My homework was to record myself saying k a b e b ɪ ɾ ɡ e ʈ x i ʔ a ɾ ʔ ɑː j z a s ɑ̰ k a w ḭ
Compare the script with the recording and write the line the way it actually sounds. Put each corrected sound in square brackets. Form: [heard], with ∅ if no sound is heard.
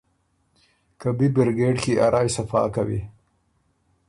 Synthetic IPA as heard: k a b [i] b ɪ ɾ ɡ e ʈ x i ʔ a ɾ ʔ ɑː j [s] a [f] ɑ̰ k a w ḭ